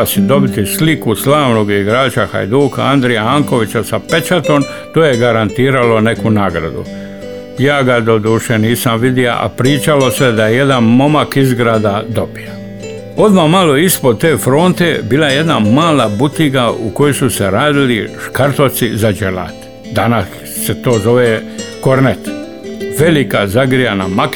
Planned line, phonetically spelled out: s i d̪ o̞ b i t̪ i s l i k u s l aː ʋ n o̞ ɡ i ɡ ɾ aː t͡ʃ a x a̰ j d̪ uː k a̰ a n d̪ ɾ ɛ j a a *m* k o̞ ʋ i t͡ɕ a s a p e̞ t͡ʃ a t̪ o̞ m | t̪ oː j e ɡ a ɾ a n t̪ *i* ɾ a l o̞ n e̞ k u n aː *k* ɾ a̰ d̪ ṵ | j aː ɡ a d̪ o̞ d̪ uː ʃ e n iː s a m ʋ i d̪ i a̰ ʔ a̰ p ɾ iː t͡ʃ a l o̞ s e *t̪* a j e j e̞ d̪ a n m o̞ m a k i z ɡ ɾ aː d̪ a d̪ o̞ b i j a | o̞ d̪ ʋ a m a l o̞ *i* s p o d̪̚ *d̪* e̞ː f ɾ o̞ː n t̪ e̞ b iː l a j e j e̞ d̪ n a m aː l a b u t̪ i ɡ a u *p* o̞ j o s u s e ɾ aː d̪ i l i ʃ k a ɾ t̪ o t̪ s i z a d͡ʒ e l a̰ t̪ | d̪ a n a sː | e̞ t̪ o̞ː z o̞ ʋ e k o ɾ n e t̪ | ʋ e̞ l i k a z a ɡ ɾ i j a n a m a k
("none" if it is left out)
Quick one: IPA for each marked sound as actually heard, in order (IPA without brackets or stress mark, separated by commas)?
ŋ, iː, ɡ, d̪, i, t̪, k